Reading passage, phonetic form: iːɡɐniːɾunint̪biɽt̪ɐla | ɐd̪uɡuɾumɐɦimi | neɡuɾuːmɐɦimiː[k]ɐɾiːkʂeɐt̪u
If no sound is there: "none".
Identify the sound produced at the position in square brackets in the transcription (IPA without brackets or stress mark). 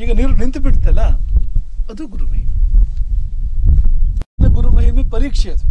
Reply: p